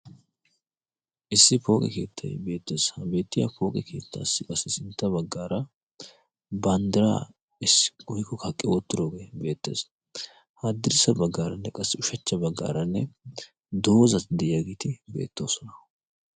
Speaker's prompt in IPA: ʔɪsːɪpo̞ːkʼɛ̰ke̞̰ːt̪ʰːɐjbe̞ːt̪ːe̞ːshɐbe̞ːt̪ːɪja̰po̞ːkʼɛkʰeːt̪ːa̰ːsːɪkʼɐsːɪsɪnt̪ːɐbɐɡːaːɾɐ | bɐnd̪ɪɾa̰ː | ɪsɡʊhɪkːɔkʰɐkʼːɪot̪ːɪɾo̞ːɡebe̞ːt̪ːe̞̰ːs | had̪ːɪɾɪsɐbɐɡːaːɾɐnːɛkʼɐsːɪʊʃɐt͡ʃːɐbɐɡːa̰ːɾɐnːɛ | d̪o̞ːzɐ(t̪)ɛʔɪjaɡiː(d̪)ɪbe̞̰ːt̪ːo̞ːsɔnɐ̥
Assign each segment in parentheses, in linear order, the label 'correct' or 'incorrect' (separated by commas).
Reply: incorrect, incorrect